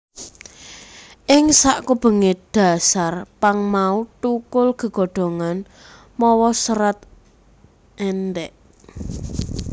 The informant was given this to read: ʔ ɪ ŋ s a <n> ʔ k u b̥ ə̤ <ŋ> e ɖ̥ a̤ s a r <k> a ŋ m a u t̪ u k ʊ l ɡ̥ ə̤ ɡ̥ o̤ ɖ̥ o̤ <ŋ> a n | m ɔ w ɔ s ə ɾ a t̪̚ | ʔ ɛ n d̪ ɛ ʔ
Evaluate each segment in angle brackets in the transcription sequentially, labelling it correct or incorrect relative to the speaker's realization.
incorrect: none, correct, incorrect: p, correct

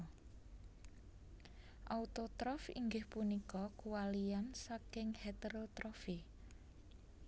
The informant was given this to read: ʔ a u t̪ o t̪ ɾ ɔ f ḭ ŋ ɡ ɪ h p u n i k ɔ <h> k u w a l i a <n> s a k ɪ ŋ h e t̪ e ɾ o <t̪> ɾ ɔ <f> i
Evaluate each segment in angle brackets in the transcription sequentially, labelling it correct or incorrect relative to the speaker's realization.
incorrect: none, correct, correct, correct

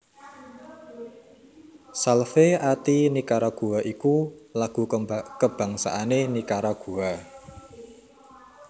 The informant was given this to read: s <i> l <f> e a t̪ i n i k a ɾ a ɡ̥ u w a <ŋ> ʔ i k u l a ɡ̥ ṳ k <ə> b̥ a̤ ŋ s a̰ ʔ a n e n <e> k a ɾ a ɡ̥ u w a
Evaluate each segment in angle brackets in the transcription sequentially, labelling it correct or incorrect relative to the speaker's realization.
incorrect: a, correct, incorrect: none, correct, incorrect: i

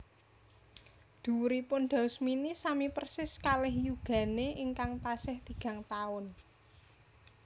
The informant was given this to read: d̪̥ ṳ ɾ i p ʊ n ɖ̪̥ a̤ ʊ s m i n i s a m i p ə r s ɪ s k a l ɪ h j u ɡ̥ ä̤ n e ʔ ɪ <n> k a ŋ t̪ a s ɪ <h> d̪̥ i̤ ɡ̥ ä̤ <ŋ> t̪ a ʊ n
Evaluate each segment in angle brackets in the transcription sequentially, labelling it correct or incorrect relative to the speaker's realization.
incorrect: ŋ, correct, correct

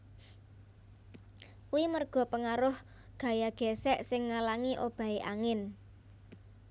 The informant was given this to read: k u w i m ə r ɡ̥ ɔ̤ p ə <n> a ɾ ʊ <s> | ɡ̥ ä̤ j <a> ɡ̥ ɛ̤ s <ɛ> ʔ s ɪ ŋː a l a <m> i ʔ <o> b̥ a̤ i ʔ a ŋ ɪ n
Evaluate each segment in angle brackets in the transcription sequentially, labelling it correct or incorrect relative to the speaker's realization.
incorrect: ŋ, incorrect: h, correct, correct, incorrect: ŋ, correct

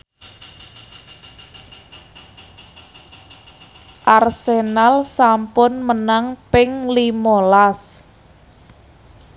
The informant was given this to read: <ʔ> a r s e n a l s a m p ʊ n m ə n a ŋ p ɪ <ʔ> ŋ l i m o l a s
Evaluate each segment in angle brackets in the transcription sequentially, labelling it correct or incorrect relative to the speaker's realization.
correct, incorrect: none

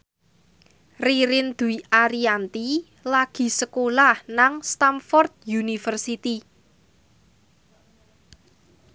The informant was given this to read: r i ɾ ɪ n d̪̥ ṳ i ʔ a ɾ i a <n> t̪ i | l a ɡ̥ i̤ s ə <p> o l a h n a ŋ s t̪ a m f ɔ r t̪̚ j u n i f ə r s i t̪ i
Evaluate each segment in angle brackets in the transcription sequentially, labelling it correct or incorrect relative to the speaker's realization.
correct, incorrect: k

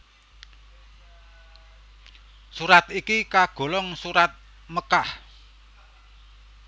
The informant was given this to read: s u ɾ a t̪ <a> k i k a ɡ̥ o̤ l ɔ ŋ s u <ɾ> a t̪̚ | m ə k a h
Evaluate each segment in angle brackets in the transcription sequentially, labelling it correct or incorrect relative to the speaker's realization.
incorrect: i, correct

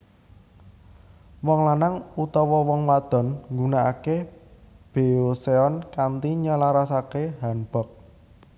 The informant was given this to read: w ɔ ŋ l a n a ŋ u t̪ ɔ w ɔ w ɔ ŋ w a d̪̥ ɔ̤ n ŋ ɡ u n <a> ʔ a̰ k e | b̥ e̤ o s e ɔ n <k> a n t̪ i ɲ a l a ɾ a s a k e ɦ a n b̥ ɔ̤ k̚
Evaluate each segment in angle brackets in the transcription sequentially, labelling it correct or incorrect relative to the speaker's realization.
correct, correct

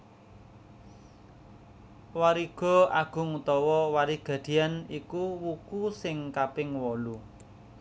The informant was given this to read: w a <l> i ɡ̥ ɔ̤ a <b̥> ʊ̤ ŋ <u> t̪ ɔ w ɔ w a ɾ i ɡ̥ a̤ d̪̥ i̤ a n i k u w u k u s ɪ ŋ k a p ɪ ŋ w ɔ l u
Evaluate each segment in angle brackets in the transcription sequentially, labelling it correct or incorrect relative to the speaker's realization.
incorrect: ɾ, incorrect: ɡ̥, correct

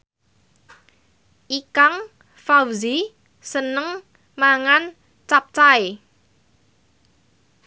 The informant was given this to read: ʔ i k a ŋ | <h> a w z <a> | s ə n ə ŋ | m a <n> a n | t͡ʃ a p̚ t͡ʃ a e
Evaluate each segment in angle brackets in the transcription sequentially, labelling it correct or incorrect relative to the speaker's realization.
incorrect: f, incorrect: i, incorrect: ŋ

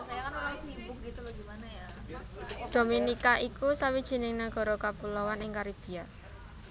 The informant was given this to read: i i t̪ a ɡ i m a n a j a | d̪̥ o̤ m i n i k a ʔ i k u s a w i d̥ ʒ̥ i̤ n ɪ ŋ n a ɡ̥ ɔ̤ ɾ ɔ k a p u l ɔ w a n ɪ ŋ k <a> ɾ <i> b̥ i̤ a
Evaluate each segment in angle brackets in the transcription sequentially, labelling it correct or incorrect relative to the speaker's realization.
correct, correct

